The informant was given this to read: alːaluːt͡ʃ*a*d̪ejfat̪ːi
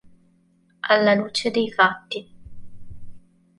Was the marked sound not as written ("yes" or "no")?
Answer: yes